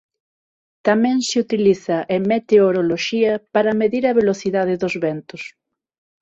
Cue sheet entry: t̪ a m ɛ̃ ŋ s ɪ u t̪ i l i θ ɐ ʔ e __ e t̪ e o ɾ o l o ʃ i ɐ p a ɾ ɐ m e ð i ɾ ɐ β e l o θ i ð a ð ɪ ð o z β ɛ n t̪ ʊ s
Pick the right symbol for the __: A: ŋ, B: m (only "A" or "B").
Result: B